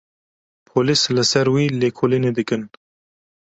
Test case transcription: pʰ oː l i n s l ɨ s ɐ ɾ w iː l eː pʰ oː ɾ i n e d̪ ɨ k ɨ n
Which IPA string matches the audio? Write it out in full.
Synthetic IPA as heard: pʰ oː l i s l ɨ s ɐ ɾ w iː l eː kʰ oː l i n e d̪ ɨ k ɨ n